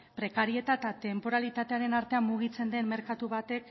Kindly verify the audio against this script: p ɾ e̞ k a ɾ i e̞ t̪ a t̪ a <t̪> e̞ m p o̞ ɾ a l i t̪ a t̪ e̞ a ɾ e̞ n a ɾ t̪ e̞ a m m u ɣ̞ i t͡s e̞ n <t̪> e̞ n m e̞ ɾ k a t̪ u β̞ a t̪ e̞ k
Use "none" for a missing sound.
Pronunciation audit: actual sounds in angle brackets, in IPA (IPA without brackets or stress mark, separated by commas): t̪, d̪